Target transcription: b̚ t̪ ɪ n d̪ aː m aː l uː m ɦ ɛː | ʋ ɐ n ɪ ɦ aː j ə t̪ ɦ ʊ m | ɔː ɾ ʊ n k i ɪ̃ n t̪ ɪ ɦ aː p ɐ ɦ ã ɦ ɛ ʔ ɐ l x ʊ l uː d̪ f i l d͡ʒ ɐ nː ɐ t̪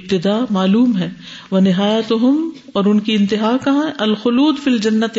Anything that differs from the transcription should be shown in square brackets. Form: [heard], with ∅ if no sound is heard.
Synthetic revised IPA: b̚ t̪ ɪ [∅] d̪ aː m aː l uː m ɦ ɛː | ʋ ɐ n ɪ ɦ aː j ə t̪ ɦ ʊ m | ɔː ɾ ʊ n k i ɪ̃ n t̪ ɪ ɦ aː [k] ɐ ɦ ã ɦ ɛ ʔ ɐ l x ʊ l uː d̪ f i l d͡ʒ ɐ nː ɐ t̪